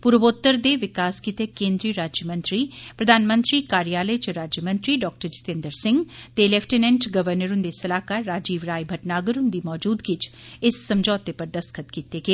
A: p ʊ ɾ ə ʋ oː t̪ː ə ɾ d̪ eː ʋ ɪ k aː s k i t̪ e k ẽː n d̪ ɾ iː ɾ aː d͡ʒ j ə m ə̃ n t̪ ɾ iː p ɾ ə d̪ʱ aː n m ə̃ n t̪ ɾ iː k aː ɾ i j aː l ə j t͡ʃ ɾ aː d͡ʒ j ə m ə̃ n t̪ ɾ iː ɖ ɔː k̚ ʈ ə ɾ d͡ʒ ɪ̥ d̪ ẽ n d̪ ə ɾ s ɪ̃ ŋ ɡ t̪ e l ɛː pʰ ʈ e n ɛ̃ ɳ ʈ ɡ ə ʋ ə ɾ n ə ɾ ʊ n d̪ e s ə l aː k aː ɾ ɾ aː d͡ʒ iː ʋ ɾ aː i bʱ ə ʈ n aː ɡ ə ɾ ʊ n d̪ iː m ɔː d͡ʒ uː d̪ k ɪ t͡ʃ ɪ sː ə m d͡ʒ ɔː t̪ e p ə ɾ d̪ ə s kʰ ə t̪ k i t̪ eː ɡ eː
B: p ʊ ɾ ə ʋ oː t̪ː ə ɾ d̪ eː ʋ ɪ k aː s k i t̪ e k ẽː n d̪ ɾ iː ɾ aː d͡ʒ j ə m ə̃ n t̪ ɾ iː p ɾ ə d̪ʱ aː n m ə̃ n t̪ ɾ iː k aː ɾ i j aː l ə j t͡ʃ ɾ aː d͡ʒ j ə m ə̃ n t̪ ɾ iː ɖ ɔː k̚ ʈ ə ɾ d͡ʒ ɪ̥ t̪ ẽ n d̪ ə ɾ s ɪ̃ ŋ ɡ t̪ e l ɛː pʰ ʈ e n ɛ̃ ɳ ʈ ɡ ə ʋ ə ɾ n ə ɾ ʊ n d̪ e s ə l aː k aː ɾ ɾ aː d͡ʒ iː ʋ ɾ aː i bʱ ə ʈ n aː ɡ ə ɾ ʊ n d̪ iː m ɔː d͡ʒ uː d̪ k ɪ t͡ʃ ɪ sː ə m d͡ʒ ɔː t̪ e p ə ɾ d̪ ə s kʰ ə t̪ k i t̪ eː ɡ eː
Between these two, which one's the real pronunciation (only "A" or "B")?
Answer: B